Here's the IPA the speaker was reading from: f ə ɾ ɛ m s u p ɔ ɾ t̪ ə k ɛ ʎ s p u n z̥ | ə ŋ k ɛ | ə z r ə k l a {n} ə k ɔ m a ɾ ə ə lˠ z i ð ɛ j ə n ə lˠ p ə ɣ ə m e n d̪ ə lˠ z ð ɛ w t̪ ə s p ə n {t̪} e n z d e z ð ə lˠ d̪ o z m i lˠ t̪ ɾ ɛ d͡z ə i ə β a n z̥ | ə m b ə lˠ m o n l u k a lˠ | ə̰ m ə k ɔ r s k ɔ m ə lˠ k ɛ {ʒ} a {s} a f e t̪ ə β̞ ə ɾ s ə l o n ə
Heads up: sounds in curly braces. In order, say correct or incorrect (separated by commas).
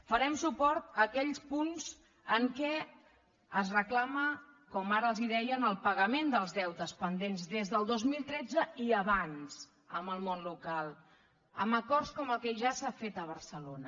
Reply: incorrect, incorrect, correct, correct